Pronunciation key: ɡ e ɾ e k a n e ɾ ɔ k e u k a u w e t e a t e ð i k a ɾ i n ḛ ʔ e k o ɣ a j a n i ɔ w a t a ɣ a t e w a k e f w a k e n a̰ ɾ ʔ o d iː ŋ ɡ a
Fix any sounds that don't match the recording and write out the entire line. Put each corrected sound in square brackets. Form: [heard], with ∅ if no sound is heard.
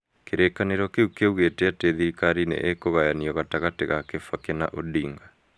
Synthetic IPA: [k] e ɾ e k a n e ɾ ɔ k e u k [e] u [ɣ] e t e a t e ð i k a ɾ i n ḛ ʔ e k o ɣ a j a n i ɔ [ɣ] a t a ɣ a t e [ɣ] a k e f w a k e n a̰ [∅] ʔ o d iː ŋ ɡ a